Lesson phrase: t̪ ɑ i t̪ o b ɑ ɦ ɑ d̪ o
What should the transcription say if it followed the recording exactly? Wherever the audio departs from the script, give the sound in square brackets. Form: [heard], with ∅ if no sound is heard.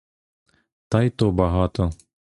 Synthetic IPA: t̪ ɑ [j] t̪ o b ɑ ɦ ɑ [t̪] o